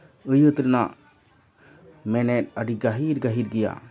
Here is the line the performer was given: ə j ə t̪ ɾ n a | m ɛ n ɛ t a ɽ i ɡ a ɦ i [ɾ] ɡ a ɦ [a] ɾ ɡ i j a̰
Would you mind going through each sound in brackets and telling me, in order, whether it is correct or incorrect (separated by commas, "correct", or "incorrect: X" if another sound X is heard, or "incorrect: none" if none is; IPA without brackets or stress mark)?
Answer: correct, incorrect: i